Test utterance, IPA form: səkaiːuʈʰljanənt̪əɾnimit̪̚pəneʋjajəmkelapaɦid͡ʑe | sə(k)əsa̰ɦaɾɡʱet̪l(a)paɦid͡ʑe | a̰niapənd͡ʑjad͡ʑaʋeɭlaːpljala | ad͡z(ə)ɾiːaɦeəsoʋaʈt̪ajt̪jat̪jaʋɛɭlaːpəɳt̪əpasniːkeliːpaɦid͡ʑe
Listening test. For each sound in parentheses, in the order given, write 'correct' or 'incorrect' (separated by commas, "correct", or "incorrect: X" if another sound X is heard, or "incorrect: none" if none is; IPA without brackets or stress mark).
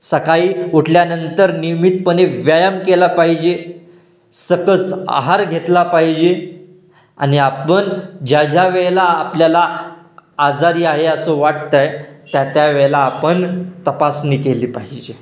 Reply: correct, correct, incorrect: a